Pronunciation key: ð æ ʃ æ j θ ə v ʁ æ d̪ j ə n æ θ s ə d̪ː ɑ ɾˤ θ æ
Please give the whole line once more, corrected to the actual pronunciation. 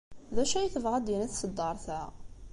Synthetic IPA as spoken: ð æ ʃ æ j θ ə v ʁ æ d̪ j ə n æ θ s ə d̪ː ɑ ɾˤ θ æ